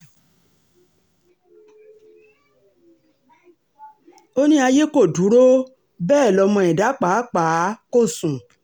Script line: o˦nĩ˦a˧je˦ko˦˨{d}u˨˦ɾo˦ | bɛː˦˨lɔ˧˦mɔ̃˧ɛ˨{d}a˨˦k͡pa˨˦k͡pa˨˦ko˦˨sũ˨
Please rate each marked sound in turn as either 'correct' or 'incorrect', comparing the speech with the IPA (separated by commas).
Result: correct, correct